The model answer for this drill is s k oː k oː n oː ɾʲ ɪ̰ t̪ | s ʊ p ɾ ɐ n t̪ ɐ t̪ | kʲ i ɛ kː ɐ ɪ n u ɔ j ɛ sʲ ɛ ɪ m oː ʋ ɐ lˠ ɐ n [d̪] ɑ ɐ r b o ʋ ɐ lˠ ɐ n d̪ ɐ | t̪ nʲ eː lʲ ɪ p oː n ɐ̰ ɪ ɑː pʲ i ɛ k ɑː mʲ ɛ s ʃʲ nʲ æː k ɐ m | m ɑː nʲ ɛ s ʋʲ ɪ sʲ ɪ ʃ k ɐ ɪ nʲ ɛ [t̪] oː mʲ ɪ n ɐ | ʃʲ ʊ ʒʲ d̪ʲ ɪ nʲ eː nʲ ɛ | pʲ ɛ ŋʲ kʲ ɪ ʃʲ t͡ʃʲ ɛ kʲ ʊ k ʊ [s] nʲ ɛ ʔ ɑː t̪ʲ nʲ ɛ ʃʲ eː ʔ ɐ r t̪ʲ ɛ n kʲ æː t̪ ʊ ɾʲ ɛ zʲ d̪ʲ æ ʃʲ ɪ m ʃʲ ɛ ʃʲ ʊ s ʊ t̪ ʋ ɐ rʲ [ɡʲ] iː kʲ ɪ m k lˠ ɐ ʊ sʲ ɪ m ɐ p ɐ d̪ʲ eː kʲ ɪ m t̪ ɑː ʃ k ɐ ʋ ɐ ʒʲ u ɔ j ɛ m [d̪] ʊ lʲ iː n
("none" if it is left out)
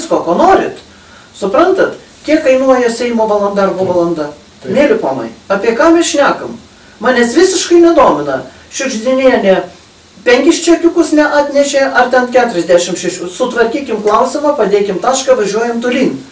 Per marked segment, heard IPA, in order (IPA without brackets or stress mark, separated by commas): d̪, d̪, s, kʲ, t̪